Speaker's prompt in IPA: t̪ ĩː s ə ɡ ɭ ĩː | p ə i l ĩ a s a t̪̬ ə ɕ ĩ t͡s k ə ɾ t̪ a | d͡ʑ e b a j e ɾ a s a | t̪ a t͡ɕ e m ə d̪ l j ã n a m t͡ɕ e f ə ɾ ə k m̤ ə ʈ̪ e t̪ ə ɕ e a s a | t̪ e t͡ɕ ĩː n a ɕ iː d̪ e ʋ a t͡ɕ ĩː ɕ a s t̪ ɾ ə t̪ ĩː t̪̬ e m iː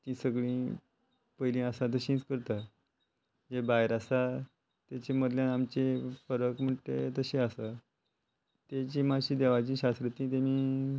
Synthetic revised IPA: t̪ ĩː s ə ɡ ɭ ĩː | p ə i l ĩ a s a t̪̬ ə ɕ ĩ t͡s k ə ɾ t̪ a | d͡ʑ e b a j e ɾ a s a | t̪ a t͡ɕ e m ə d̪ l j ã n a m t͡ɕ e f ə ɾ ə k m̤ ə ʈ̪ e t̪ ə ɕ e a s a | t̪ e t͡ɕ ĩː m a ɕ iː d̪ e ʋ a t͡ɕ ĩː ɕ a s t̪ ɾ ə t̪ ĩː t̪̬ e m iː

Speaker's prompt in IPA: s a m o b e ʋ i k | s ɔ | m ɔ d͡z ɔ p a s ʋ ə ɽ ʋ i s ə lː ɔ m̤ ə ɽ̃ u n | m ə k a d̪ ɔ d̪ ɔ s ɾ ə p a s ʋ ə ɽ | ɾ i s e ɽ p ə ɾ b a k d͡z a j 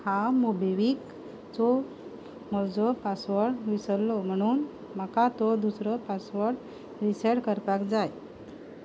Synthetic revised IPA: h a m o b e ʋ i k | t͡s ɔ | m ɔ d͡z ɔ p a s ʋ ə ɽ ʋ i s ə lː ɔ m̤ ə ɽ̃ uː n | m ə k a t̪ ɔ d̪ u s ɾ ə p a s ʋ ə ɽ | ɾ i s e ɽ k ə ɾ p a k d͡z a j

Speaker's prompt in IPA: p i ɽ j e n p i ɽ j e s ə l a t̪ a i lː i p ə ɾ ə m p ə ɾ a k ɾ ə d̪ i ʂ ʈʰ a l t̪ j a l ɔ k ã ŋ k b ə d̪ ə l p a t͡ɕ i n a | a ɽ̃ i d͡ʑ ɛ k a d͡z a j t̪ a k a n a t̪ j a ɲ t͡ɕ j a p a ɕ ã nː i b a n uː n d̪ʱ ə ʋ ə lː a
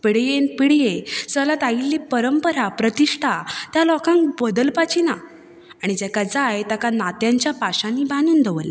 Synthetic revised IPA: p i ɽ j e n p i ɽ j e s ə l a t̪ a i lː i p ə ɾ ə m p ə ɾ a p ɾ ə t̪ i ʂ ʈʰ a t̪ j a l ɔ k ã ŋ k b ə d̪ ə l p a t͡ɕ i n a | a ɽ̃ i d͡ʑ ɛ k a d͡z a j t̪ a k a n a t̪ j a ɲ t͡ɕ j a p a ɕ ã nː i b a n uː n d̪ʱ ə ʋ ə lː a

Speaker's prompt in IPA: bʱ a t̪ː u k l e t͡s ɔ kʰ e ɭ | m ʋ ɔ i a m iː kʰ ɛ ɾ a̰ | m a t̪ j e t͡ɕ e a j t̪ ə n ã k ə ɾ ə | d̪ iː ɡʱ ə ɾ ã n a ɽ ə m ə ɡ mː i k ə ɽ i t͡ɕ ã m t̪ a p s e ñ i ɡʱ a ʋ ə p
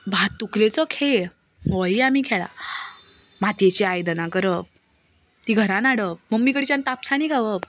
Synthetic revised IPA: bʱ a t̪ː u k l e t͡s ɔ kʰ e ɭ | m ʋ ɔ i a m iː kʰ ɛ ɭ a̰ | m a t̪ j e t͡ɕ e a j d̪ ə n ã k ə ɾ ə | t̪ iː ɡʱ ə ɾ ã n a ɽ ə m ə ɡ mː i k ə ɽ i t͡ɕ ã n t̪ a p s a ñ i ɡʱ a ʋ ə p

